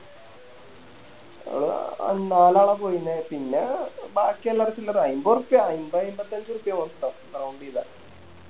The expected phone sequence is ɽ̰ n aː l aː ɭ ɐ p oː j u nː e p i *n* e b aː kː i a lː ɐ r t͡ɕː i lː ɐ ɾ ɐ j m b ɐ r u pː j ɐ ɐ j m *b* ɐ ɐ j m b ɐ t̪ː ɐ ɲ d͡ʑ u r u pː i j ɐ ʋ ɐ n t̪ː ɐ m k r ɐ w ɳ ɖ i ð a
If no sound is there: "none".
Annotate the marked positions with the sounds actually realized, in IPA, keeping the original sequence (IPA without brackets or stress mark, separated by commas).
nː, b